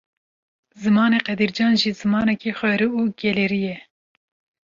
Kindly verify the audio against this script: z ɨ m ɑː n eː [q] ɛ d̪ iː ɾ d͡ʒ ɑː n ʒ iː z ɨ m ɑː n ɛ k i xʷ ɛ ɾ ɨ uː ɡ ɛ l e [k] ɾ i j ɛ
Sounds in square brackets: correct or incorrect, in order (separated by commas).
correct, incorrect